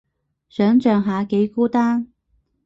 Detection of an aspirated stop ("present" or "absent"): absent